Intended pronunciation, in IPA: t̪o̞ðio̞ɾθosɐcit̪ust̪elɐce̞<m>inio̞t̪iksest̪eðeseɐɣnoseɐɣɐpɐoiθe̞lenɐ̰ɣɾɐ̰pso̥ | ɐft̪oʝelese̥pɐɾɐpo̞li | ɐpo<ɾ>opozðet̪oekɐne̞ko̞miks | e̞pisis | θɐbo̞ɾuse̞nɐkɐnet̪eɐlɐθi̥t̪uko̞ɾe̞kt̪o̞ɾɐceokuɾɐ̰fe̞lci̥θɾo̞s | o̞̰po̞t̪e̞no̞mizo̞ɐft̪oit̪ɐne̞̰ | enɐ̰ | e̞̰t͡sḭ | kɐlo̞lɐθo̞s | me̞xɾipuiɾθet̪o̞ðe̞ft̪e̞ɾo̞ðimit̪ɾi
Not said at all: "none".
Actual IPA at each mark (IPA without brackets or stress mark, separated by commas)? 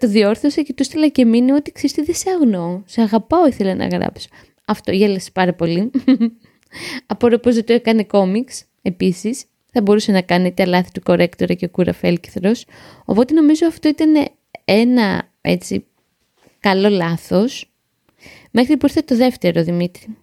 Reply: m, ɾ